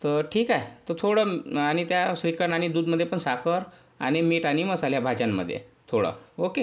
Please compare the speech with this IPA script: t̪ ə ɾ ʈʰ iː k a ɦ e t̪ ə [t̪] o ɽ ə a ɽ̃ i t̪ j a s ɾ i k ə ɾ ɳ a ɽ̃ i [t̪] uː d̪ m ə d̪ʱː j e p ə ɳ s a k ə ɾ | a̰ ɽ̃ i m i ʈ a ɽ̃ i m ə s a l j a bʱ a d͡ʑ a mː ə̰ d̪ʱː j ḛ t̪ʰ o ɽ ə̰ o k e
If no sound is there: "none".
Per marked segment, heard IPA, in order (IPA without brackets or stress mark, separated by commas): t̪ʰ, d̪